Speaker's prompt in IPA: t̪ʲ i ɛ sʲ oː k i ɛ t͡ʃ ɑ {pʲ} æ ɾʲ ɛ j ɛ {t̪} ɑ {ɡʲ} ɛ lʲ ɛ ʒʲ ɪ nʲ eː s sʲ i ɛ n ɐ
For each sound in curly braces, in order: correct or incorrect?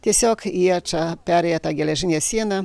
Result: correct, correct, correct

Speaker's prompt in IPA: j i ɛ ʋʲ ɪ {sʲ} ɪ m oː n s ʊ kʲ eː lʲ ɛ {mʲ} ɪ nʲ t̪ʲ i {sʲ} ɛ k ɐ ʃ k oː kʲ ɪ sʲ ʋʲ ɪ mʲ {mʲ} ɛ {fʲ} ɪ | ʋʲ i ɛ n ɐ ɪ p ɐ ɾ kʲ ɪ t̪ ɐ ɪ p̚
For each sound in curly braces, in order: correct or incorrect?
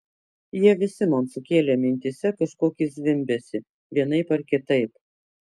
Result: correct, correct, correct, incorrect: bʲ, incorrect: sʲ

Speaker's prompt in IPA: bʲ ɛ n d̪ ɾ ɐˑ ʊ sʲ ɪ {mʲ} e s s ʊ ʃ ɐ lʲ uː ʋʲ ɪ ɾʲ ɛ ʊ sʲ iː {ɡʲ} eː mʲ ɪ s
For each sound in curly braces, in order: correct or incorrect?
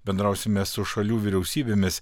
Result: correct, incorrect: bʲ

